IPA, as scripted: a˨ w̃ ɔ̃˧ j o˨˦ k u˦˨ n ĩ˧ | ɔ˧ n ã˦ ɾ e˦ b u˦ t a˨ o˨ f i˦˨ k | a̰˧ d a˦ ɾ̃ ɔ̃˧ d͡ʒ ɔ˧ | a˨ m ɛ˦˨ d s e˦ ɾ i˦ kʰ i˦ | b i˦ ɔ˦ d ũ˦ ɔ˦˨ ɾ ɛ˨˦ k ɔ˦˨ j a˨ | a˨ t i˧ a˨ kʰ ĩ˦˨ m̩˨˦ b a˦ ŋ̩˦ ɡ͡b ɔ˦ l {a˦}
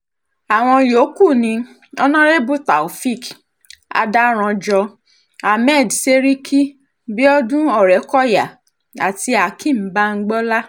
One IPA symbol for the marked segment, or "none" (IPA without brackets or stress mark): a˦